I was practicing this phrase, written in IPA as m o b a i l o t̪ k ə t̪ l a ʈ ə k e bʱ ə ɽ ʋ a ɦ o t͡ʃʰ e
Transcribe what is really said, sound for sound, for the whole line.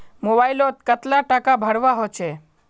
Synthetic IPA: m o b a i l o t̪ k ə t̪ l a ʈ a k a bʱ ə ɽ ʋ a ɦ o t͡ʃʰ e